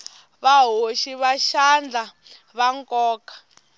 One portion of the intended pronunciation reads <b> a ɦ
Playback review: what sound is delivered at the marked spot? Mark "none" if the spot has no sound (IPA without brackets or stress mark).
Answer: β